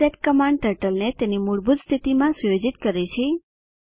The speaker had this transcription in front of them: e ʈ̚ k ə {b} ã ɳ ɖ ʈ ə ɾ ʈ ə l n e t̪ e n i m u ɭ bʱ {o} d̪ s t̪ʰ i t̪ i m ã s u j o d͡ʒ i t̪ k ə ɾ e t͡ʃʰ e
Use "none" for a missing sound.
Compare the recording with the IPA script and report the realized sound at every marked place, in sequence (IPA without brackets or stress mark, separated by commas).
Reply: m, u